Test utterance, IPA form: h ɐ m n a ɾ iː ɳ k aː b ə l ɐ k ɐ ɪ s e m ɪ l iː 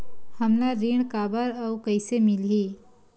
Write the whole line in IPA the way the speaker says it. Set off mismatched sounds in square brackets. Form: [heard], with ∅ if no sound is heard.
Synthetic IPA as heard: h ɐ m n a ɾ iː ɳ k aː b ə [ɾ] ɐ k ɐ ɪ s e m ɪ l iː

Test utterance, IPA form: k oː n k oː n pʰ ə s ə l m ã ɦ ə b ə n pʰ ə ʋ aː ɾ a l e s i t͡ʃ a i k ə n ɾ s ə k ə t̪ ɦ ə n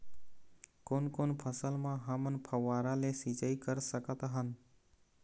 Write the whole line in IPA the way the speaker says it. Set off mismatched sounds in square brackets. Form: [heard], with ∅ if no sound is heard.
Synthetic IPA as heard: k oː n k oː n pʰ ə s ə l m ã ɦ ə [m] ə n pʰ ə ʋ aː ɾ a l e s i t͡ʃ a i k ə [∅] ɾ s ə k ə t̪ ɦ ə n

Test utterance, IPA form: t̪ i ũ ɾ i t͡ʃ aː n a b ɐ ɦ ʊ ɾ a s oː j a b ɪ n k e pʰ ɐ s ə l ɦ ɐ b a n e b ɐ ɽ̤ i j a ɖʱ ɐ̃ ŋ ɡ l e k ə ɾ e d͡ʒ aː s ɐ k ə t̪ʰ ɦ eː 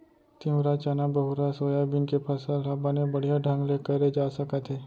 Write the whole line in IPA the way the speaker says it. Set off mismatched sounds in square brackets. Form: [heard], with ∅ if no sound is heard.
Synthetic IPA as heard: t̪ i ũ ɾ [a] t͡ʃ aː n a b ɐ ɦ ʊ ɾ a s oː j a b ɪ n k e pʰ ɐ s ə l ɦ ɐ b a n e b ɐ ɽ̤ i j a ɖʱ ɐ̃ ŋ ɡ l e k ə ɾ e d͡ʒ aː s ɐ k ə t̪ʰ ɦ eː

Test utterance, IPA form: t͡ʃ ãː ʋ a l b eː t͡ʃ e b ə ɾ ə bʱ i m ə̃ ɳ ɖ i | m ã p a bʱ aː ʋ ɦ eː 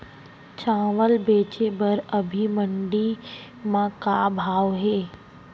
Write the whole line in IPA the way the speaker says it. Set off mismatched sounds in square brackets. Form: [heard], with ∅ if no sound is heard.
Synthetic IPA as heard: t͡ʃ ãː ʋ [ə] l b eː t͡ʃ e b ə ɾ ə bʱ i m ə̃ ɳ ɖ i | m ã [k] a bʱ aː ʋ ɦ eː

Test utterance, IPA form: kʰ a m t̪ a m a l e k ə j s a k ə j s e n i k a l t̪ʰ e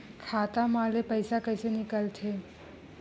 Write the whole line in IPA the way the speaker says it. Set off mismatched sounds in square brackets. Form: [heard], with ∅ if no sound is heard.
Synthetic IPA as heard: kʰ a [∅] t̪ a m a l e [p] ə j s a k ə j s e n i k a l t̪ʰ e

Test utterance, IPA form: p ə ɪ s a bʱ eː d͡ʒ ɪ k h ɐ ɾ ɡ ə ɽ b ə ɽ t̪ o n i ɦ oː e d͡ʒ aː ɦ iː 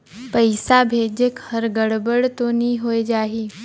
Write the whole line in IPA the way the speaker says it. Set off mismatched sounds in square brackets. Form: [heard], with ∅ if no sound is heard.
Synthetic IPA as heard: p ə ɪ s a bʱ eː d͡ʒ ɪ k h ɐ ɾ ɡ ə ɽ b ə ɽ t̪ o n i ɦ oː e d͡ʒ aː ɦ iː

